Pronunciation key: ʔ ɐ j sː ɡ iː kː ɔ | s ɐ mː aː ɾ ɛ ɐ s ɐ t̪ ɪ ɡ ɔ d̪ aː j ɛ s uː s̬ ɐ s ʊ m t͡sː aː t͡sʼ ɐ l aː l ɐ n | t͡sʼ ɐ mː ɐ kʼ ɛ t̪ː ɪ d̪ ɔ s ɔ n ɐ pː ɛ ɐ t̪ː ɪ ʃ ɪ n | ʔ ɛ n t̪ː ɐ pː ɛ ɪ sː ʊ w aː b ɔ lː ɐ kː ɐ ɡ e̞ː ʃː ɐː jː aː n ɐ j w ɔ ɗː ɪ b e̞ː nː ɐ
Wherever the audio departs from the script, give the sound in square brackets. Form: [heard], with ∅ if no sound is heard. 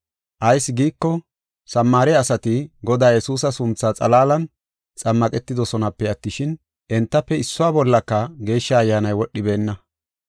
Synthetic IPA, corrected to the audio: ʔ ɐ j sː ɡ iː kː ɔ | s ɐ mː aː ɾ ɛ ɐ s ɐ t̪ ɪ ɡ ɔ d̪ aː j ɛ s uː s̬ ɐ s ʊ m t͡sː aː t͡sʼ ɐ l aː l ɐ n | t͡sʼ ɐ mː ɐ kʼ ɛ t̪ː ɪ d̪ ɔ s ɔ n ɐ pː ɛ ɐ t̪ː ɪ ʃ ɪ n | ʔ ɛ n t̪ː ɐ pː ɛ ɪ sː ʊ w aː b ɔ lː ɐ kː ɐ ɡ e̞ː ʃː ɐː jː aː n ɐ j w ɔ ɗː ɪ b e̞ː nː ɐ